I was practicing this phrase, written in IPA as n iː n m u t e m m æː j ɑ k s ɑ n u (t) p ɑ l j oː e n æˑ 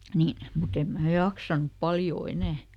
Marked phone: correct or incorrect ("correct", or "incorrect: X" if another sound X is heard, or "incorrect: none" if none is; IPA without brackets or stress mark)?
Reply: incorrect: p